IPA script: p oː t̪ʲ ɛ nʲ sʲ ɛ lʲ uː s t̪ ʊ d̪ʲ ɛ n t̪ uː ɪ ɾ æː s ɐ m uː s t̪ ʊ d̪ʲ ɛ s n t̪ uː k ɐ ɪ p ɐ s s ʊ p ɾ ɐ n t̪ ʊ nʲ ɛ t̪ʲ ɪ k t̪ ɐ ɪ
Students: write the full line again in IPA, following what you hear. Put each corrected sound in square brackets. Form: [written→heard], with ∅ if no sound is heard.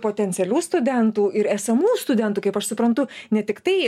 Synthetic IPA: p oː t̪ʲ ɛ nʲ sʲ ɛ lʲ uː s t̪ ʊ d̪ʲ ɛ n t̪ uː ɪ ɾ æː s ɐ m uː s t̪ ʊ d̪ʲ ɛ [s→∅] n t̪ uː k ɐ ɪ p ɐ [s→ʃ] s ʊ p ɾ ɐ n t̪ ʊ nʲ ɛ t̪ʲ ɪ k t̪ ɐ ɪ